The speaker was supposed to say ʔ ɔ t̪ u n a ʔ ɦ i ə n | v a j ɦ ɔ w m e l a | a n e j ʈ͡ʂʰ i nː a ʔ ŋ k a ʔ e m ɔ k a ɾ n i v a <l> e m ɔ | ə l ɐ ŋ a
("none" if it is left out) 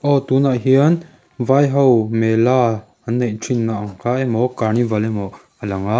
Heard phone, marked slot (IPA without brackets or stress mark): l